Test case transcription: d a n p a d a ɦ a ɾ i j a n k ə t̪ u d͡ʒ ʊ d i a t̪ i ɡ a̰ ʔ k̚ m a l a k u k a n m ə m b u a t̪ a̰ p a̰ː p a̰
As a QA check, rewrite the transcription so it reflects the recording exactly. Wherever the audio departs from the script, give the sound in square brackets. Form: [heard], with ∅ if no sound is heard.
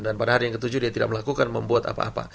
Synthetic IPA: d a n p a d a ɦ a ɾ i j a [ŋ] k ə t̪ u d͡ʒ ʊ d i a t̪ i [d] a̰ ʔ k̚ m [ə] l a k u k a n m ə m b u a t̪ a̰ p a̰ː p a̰